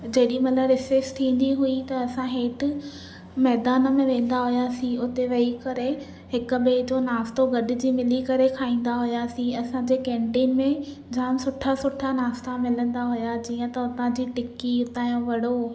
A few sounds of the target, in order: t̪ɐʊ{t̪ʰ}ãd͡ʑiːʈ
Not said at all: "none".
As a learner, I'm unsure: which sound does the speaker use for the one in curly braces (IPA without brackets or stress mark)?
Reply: t̪